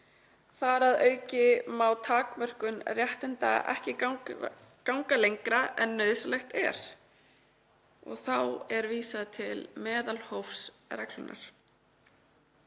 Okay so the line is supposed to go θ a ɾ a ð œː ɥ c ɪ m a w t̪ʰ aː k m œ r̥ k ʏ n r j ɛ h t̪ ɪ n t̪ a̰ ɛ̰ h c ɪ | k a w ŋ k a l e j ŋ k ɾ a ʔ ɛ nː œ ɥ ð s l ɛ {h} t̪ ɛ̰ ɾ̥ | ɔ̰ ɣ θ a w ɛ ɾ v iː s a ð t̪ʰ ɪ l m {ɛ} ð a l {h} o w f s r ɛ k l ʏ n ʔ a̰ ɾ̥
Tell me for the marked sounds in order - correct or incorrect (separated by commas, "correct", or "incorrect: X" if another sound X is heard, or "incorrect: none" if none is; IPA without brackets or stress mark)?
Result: incorrect: x, incorrect: ɛː, correct